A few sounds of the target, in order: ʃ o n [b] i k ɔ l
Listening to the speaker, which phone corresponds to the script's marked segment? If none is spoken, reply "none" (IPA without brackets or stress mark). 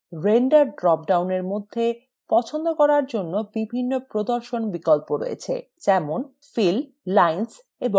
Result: b